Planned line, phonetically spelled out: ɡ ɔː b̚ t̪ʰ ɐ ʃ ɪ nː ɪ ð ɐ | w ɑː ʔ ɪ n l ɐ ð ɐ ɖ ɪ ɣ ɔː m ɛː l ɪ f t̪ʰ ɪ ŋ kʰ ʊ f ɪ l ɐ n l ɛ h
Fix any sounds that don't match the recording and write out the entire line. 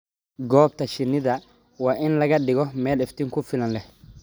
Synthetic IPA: ɡ ɔː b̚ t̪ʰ ɐ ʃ ɪ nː ɪ ð ɐ | w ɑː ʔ ɪ n l ɐ ɣ ɐ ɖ ɪ ɣ ɔ m ɛː l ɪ f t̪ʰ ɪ ŋ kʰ ʊ f ɪ l ɐ n l ɛ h